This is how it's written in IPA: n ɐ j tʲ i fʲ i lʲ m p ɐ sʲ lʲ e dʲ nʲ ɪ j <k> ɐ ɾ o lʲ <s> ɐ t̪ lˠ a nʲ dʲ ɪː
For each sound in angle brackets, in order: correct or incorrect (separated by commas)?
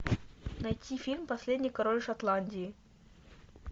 correct, incorrect